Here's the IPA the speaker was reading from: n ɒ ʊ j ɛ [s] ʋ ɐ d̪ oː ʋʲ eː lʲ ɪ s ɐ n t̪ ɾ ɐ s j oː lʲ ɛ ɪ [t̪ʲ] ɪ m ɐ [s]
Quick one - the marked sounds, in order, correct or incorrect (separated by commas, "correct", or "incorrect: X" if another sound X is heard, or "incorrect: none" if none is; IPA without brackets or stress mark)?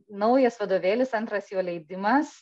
correct, incorrect: d̪ʲ, correct